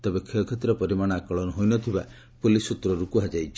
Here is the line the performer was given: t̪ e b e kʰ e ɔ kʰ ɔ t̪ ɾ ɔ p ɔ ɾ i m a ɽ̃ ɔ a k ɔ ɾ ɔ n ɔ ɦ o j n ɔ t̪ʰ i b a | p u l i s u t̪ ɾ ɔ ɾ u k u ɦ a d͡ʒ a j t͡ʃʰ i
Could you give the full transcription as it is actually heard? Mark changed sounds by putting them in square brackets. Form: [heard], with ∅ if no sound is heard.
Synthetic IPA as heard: t̪ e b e kʰ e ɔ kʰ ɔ t̪ ɾ ɔ p ɔ ɾ i m a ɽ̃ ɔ a k ɔ [ɭ] ɔ n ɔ ɦ o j n ɔ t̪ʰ i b a | p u l i s u t̪ ɾ ɔ ɾ u k u ɦ a d͡ʒ a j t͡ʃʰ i